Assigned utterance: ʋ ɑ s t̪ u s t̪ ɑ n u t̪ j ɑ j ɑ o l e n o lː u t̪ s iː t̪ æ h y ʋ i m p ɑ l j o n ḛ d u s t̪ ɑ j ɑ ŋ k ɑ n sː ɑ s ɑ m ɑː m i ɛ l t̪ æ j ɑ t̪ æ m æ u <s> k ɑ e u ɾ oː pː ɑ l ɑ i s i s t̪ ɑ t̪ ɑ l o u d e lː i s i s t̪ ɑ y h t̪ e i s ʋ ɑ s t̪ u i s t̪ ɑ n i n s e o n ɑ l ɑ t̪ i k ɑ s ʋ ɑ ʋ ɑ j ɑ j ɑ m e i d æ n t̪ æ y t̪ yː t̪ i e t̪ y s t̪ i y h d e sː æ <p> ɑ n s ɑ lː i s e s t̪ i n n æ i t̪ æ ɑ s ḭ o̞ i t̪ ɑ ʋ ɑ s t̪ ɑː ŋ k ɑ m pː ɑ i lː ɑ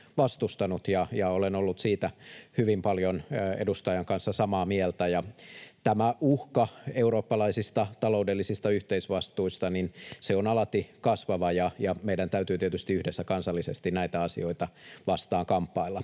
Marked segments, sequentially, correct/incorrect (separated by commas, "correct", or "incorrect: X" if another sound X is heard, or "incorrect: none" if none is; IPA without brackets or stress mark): incorrect: h, incorrect: k